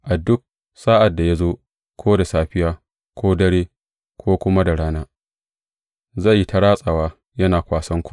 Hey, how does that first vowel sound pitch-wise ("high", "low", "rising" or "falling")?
low